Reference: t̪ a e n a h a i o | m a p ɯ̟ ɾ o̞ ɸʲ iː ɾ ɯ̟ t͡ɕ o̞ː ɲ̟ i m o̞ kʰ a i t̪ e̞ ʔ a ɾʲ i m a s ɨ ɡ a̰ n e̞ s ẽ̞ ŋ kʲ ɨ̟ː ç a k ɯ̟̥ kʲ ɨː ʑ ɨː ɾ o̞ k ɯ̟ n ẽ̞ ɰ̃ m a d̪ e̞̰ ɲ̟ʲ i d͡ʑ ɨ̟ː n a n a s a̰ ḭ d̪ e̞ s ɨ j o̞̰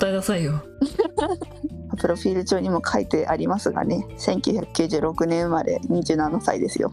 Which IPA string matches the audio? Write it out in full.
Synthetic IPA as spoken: t̪ a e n a s a i o | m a p ɯ̟ ɾ o̞ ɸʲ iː ɾ ɯ̟ t͡ɕ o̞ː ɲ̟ i m o̞ kʰ a i t̪ e̞ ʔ a ɾʲ i m a s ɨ ɡ a̰ n e̞ s ẽ̞ ŋ kʲ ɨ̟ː ç a k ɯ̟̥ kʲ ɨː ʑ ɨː ɾ o̞ k ɯ̟ n ẽ̞ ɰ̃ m a d̪ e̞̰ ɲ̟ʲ i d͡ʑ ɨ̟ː n a n a s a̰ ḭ d̪ e̞ s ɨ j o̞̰